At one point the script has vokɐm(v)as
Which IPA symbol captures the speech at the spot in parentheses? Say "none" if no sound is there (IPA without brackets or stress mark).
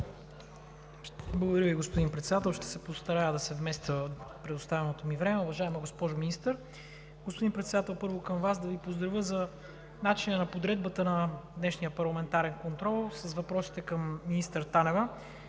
v